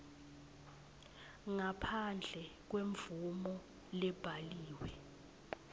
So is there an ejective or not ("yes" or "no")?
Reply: no